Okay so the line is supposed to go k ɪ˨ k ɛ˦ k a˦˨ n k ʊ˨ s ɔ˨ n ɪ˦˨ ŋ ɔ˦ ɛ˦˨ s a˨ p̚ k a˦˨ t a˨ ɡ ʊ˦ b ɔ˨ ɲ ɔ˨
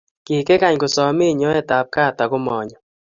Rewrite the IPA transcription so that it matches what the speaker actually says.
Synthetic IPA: k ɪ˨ k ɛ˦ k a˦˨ ɲ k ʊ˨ s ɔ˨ m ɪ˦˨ ɲ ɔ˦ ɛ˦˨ t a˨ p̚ k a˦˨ t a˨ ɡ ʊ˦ m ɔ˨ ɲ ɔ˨